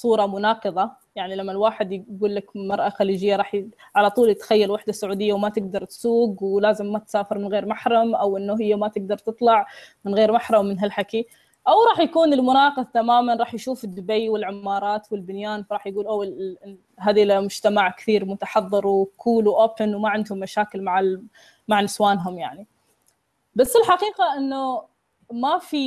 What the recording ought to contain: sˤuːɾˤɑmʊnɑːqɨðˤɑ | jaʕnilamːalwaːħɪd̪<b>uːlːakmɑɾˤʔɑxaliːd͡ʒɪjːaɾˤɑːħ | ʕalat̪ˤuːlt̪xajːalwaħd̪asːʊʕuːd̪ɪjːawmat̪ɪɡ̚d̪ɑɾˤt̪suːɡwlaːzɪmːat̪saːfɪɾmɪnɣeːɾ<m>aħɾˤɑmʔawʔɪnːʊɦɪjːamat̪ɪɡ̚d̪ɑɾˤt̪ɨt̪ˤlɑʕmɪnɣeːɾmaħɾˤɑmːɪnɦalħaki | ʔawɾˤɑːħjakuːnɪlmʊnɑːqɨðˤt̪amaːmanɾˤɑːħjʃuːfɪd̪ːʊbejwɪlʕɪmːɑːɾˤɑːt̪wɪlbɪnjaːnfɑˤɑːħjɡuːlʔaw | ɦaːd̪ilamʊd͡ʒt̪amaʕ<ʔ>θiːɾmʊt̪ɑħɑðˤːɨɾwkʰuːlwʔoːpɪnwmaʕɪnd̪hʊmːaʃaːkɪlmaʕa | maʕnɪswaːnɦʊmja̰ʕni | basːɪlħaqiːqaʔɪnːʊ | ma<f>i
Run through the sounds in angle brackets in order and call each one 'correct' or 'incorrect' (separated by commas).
incorrect, correct, incorrect, correct